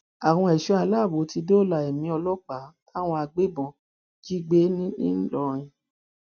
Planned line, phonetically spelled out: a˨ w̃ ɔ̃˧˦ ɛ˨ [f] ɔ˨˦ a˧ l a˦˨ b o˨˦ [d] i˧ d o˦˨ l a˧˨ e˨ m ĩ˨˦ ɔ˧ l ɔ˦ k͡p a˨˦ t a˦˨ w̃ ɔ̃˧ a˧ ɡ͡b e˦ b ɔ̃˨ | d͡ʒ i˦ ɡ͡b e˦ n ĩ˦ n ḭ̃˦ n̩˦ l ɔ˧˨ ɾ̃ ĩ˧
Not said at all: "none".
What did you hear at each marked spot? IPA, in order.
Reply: ʃ, t

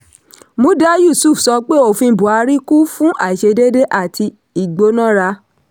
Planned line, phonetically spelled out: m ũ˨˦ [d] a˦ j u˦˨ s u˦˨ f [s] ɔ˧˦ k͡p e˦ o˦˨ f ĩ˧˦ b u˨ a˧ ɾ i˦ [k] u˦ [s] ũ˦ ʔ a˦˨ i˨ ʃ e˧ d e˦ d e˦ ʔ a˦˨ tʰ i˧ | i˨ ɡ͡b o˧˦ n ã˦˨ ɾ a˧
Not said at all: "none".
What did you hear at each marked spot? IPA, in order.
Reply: d, s, k, f

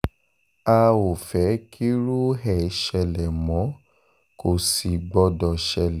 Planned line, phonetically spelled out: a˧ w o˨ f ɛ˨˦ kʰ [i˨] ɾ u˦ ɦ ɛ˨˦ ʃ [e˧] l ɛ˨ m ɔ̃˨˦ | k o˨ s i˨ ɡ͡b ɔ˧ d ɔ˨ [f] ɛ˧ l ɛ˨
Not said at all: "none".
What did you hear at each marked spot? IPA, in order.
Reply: i˦, ɛ˧, ʃ

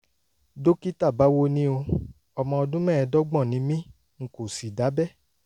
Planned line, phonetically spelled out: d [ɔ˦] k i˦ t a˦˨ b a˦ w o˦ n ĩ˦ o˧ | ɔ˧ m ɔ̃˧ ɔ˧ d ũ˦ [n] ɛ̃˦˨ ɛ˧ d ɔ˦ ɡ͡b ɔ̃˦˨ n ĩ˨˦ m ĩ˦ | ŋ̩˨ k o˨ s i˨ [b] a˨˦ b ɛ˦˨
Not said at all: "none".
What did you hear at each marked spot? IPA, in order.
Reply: o˦, m, d

